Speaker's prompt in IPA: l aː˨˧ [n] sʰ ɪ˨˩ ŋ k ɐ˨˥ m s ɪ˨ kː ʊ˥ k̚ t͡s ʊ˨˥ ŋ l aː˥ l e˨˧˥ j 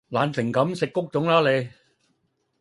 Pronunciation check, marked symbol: correct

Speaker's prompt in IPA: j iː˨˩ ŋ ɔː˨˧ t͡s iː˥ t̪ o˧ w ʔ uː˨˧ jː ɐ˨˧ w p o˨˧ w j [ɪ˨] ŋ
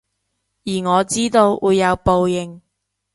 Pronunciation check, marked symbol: correct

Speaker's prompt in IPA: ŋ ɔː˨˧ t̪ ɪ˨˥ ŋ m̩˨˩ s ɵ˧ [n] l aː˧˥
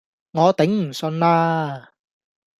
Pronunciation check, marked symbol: correct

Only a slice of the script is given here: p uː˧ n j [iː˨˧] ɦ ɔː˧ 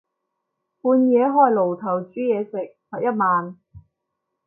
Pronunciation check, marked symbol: incorrect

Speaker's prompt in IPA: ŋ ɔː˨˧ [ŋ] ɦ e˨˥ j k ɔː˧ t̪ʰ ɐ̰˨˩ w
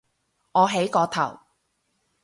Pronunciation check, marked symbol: incorrect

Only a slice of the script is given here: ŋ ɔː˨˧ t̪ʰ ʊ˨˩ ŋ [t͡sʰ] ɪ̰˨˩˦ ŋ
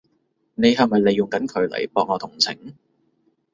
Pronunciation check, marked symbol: correct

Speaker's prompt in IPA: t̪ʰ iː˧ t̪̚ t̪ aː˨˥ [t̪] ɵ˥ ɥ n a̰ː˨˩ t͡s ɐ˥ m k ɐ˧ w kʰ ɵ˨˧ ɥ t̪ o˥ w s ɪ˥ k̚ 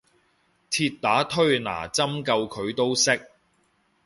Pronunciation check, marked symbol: incorrect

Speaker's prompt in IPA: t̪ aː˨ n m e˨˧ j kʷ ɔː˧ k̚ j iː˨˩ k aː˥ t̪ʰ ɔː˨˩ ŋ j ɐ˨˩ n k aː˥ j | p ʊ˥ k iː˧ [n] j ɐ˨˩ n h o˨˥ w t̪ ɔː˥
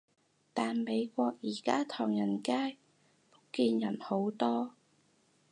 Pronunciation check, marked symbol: correct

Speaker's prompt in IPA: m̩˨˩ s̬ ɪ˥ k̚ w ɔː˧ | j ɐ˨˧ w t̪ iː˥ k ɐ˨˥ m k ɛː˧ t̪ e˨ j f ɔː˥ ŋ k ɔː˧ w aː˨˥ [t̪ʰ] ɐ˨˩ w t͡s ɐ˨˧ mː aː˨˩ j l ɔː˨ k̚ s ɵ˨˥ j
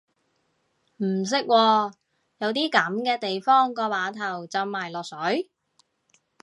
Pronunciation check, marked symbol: correct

